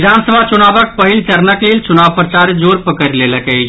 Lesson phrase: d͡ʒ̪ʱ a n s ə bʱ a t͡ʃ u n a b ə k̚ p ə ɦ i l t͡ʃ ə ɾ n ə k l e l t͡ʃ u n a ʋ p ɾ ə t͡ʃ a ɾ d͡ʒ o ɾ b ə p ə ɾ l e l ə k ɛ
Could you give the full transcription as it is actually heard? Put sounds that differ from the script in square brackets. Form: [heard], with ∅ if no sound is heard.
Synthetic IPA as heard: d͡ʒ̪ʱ a n s ə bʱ a t͡ʃ u n a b ə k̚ p ə ɦ i l t͡ʃ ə ɾ n ə k l e l t͡ʃ u n a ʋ p ɾ ə t͡ʃ a ɾ d͡ʒ o ɾ [p] ə [k] ə ɾ l e l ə k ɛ